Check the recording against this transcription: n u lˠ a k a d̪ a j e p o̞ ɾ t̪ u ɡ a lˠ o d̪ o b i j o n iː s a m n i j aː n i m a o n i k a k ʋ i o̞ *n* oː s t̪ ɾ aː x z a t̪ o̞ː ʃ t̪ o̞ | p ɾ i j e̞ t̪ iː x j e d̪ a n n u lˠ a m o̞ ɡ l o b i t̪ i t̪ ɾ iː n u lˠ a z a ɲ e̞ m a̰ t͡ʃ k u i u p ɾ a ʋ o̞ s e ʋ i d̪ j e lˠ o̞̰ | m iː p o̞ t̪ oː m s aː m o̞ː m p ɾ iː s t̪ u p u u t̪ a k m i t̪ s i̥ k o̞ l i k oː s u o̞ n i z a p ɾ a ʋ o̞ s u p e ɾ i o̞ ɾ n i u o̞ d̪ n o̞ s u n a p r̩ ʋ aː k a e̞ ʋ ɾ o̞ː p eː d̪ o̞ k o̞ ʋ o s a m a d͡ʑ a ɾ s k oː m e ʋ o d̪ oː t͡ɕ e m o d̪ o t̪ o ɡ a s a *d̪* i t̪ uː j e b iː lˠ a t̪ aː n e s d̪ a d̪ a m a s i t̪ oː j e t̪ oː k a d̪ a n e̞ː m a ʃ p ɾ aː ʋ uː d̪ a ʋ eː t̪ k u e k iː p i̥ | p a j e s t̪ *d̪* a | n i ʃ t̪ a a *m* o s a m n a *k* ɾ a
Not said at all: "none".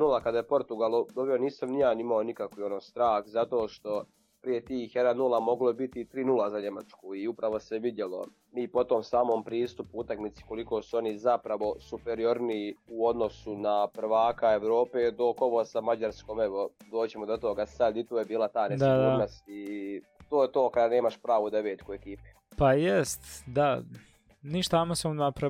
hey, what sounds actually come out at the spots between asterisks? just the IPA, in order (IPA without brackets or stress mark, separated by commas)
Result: n, d̪, d̪, m, p